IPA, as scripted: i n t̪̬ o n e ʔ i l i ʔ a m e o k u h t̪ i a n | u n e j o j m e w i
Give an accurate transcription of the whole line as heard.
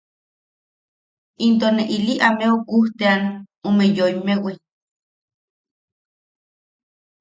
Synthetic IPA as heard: i n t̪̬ o n e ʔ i l i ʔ a m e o k u h t̪ e a n | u m e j o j m e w i